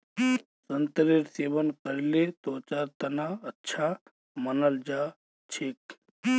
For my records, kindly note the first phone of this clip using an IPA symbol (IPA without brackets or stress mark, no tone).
s